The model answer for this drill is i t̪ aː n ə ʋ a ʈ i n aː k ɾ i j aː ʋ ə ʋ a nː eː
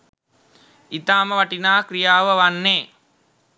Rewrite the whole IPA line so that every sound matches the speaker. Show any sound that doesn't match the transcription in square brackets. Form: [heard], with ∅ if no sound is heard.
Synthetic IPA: i t̪ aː [m] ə ʋ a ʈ i n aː k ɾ i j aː ʋ ə ʋ a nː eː